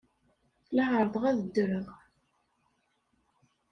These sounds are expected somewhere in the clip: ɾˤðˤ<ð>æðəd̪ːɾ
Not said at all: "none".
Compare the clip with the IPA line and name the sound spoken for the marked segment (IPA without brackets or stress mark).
ʁ